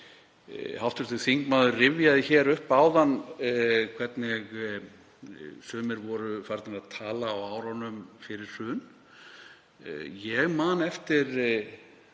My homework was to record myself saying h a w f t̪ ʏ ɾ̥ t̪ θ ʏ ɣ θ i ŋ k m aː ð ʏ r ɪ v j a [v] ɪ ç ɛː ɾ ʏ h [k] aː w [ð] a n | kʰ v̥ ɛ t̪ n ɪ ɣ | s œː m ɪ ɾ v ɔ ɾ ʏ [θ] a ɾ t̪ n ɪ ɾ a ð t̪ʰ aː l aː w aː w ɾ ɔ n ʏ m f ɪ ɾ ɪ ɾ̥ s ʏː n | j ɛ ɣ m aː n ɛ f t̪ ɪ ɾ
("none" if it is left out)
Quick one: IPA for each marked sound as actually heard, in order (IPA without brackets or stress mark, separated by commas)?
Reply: ð, p, ð, f